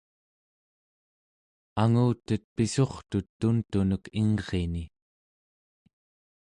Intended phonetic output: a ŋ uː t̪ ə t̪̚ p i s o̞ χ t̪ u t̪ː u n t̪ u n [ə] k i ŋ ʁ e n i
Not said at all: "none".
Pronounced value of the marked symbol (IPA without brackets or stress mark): ə